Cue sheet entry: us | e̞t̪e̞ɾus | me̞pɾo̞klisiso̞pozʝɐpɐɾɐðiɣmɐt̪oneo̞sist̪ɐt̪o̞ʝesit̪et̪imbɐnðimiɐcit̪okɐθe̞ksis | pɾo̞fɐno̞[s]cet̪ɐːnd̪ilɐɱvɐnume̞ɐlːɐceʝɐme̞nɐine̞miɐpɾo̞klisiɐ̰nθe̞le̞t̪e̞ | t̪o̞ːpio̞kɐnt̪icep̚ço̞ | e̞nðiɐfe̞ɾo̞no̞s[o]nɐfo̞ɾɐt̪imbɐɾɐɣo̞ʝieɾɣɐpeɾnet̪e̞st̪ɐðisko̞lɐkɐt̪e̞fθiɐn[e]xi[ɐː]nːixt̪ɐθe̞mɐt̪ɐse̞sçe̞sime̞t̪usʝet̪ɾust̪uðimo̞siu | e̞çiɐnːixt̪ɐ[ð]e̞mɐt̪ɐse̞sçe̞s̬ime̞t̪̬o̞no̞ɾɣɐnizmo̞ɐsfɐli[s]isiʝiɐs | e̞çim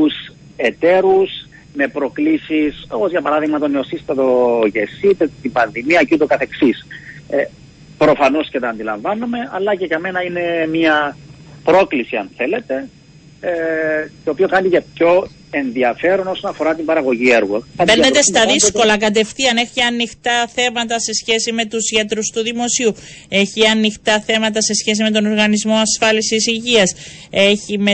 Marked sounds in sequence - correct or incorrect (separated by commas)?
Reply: correct, correct, correct, incorrect, incorrect, correct